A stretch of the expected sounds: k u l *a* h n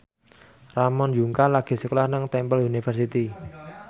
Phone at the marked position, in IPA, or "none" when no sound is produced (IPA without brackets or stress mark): a